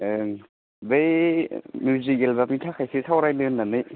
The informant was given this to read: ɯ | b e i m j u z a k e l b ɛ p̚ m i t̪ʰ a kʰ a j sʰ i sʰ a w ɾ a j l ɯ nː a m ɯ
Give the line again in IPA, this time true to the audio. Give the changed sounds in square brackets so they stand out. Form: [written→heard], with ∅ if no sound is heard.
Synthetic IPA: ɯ | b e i m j u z [a→i] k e l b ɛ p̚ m i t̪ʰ a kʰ a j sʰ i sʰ a w ɾ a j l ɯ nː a [m→n] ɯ